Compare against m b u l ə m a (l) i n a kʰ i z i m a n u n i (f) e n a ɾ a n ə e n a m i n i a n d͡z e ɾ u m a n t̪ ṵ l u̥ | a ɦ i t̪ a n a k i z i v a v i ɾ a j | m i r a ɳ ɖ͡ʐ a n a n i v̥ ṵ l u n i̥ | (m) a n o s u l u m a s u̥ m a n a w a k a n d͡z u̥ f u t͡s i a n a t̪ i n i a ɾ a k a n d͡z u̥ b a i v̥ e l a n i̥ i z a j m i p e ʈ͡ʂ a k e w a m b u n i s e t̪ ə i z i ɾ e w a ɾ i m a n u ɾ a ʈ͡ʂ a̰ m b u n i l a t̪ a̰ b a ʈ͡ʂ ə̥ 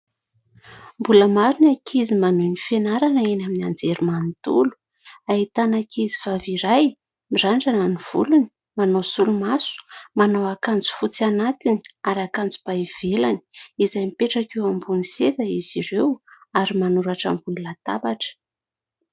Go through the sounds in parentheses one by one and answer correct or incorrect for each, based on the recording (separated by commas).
incorrect, correct, correct